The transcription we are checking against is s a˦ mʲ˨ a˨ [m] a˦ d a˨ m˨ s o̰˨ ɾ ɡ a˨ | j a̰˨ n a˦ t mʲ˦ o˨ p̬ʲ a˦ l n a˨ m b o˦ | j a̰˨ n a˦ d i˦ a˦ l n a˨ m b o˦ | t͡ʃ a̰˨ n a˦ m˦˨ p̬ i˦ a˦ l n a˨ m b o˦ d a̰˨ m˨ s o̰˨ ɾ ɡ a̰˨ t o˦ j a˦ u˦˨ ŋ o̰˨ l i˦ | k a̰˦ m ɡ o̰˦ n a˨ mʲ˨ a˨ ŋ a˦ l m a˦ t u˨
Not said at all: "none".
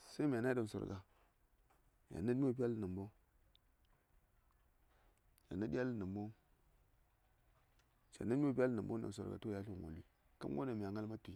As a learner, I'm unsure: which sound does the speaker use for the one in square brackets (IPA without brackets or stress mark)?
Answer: n